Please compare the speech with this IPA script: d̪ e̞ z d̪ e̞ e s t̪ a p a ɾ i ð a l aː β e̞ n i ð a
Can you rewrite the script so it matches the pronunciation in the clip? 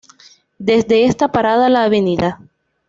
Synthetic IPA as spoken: d̪ e̞ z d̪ e̞ e s t̪ a p a ɾ a ð a l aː β e̞ n i ð a